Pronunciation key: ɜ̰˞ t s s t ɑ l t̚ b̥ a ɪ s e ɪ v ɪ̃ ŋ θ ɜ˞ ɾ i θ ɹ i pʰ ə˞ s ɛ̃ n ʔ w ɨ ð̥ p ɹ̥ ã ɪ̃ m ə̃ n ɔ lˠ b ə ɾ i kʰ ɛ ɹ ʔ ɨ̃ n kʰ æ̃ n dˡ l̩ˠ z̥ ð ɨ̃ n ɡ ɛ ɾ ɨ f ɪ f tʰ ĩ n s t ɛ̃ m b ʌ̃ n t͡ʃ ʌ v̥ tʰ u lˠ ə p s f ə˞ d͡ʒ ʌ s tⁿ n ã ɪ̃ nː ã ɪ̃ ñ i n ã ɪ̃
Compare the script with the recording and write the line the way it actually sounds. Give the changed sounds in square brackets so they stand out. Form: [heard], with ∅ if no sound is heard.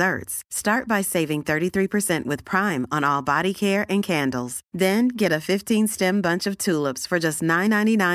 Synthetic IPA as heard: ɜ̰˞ t s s t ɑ [ɹ] t̚ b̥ a ɪ s e ɪ v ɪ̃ ŋ θ ɜ˞ ɾ i θ ɹ i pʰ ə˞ s ɛ̃ n ʔ w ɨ ð̥ [pʰ] ɹ̥ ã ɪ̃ m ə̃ n ɔ lˠ b [ɑ] ɾ i kʰ ɛ ɹ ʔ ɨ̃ n kʰ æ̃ n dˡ l̩ˠ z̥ ð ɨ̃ n ɡ ɛ ɾ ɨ f ɪ f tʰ ĩ n s t ɛ̃ m b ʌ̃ n t͡ʃ ʌ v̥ tʰ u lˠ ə p s f ə˞ d͡ʒ ʌ s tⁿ n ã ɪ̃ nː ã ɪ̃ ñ i n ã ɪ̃